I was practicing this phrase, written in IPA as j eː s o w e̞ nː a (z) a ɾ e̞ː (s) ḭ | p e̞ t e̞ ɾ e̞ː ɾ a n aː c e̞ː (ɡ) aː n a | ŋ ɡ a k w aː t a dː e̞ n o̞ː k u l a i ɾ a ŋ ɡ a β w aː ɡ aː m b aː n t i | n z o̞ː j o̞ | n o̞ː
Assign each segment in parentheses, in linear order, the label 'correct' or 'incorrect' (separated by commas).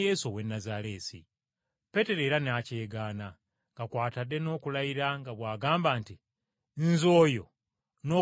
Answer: correct, correct, correct